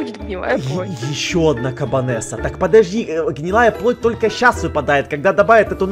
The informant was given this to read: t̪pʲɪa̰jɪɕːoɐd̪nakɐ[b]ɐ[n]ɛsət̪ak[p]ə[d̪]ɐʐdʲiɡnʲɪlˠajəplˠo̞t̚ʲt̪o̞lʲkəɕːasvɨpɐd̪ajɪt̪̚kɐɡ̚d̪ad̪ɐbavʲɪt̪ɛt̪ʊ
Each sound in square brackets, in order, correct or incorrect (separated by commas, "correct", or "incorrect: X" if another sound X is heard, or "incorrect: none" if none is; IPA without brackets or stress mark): correct, correct, correct, correct